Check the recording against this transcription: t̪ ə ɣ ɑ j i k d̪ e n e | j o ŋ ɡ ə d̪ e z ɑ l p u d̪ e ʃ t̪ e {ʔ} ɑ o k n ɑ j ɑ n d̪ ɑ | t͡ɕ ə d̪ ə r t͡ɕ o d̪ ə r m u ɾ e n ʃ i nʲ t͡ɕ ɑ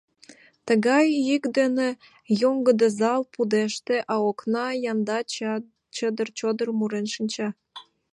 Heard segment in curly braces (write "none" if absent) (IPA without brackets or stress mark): ʔ